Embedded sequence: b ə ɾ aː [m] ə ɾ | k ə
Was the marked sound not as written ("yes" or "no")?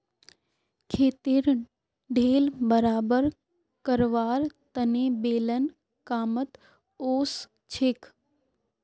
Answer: yes